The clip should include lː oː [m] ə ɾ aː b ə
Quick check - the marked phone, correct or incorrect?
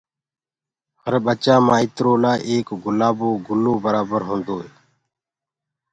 incorrect: b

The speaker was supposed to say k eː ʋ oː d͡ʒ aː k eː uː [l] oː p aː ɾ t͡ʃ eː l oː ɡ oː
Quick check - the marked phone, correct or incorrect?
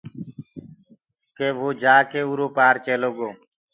incorrect: ɾ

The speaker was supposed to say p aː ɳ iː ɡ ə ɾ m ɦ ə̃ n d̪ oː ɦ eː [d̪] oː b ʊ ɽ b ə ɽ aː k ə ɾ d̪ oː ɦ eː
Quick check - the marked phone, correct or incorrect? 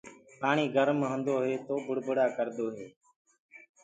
incorrect: t̪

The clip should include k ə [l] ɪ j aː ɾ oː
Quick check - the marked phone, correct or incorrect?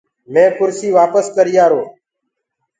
incorrect: ɾ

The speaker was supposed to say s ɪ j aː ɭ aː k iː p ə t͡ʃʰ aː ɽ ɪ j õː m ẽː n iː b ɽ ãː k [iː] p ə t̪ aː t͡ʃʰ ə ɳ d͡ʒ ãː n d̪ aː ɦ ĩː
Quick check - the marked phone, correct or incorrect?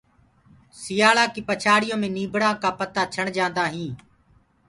incorrect: aː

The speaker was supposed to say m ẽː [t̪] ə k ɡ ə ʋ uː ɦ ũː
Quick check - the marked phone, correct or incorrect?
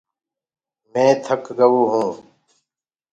incorrect: t̪ʰ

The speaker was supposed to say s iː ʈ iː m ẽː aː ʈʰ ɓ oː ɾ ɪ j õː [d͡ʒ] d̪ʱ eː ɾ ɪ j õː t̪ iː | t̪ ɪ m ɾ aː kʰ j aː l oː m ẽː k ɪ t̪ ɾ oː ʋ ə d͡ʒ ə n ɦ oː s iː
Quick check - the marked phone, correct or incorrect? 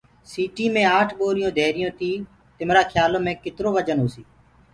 incorrect: none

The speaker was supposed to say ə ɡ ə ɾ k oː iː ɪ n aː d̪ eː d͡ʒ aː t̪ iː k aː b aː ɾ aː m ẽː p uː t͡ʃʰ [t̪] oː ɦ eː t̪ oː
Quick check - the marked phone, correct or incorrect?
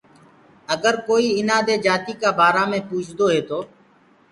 incorrect: d̪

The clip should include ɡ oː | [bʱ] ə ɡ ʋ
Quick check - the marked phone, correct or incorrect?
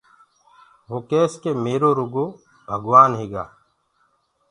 correct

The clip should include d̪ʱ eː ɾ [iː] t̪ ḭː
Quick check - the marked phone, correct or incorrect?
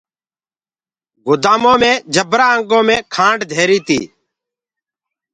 correct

